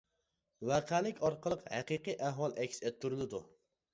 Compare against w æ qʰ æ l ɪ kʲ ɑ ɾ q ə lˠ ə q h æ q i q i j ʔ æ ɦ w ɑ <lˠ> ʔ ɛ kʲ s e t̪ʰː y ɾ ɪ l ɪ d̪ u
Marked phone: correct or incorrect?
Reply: correct